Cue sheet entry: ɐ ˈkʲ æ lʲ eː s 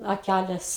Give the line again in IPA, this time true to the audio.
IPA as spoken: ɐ ˈkʲ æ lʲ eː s